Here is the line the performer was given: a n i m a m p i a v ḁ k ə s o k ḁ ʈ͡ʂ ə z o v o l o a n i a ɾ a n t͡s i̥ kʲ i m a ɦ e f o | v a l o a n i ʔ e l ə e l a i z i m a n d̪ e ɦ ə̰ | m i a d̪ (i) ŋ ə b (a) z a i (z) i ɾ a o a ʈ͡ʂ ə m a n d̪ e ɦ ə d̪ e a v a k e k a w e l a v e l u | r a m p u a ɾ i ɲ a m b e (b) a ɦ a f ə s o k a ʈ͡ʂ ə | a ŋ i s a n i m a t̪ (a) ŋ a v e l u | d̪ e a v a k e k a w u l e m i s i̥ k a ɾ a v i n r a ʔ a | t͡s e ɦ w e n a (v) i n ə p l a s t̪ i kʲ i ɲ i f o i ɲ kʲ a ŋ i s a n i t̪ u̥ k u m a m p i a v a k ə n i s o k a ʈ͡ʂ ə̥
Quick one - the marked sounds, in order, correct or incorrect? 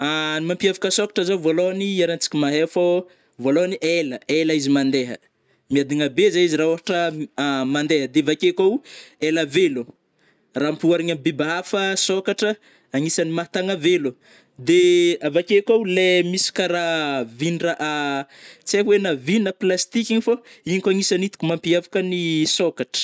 correct, incorrect: e, correct, correct, correct, correct

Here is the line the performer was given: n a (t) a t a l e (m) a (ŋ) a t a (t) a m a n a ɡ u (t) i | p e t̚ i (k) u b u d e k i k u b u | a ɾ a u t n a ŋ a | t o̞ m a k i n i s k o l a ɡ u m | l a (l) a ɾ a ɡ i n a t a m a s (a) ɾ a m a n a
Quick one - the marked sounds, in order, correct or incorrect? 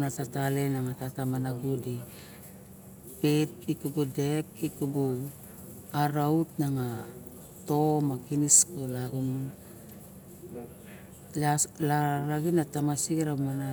correct, incorrect: n, correct, correct, incorrect: d, correct, correct, incorrect: i

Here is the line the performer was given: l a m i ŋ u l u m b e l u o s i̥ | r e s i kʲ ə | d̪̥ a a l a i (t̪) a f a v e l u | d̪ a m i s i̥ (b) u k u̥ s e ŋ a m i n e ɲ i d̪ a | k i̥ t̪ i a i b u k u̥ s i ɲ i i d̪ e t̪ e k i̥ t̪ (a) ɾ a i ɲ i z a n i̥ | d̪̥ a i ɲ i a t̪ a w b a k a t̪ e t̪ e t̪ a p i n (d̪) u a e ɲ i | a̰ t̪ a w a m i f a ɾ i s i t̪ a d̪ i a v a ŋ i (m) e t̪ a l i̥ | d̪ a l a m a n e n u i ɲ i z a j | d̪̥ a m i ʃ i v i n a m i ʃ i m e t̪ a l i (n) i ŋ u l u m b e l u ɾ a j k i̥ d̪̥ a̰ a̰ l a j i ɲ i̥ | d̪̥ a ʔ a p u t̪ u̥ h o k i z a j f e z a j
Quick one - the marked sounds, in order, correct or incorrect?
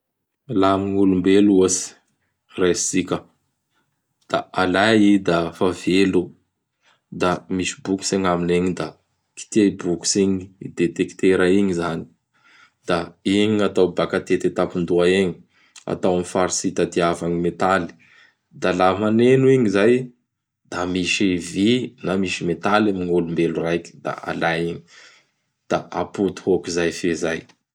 incorrect: d̪, correct, incorrect: e, correct, correct, incorrect: m

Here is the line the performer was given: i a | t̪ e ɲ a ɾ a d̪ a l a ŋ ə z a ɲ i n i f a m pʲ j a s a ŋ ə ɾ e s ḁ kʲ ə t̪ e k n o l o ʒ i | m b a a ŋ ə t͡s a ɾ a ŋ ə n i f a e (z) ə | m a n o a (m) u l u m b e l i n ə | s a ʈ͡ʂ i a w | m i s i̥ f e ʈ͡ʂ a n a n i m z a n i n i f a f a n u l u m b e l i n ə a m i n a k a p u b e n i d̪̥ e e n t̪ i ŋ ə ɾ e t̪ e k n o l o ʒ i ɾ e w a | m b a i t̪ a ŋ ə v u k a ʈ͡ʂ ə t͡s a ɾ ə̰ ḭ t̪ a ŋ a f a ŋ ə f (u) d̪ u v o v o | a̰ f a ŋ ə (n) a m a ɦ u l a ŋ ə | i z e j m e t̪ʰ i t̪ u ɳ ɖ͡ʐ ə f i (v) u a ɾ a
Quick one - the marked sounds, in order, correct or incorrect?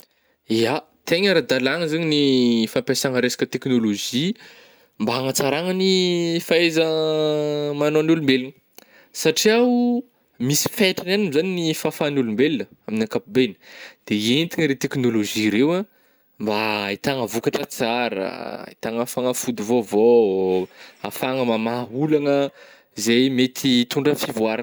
correct, incorrect: n, correct, incorrect: m, correct

